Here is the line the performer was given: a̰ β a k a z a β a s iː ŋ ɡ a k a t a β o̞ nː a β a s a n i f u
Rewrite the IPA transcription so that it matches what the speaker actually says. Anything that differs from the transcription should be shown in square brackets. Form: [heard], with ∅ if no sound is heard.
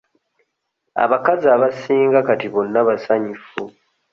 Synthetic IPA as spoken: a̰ β a k a z a β a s iː ŋ ɡ a k a t [i] β o̞ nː a β a s a [ɲ] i f u